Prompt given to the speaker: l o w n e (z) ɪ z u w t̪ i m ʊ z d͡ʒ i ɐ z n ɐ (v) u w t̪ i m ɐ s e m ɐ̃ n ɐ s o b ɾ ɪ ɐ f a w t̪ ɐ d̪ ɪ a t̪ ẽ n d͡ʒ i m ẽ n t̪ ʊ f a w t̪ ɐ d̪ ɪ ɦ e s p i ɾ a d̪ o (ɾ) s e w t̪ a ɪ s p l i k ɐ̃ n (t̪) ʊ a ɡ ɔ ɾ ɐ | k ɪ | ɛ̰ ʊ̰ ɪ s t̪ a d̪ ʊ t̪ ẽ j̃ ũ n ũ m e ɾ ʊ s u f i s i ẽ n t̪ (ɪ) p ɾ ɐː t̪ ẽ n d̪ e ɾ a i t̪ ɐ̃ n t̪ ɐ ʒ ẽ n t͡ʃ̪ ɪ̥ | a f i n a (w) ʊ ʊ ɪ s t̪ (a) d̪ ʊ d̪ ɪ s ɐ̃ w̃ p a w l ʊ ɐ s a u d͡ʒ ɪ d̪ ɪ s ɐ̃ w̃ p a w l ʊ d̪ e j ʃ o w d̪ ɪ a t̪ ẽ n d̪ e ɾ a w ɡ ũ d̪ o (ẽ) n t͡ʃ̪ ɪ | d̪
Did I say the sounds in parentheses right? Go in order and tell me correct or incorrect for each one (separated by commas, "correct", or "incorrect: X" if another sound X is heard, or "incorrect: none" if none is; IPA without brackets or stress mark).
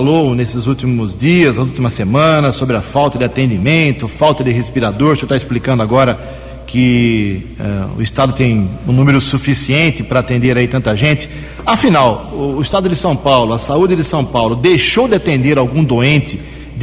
incorrect: s, incorrect: z, correct, incorrect: d̪, correct, correct, correct, correct